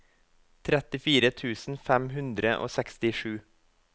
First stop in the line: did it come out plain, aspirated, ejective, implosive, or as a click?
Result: aspirated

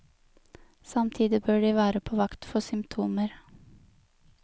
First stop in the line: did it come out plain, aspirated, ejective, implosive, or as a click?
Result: aspirated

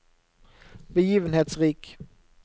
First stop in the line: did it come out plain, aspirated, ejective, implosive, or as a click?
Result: plain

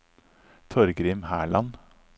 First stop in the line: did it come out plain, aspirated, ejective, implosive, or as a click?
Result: aspirated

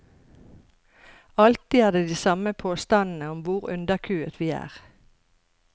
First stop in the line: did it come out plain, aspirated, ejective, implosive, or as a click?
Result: plain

